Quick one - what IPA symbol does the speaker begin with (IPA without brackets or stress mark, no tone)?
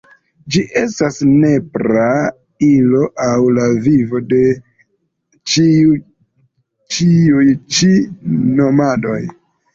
d͡ʒ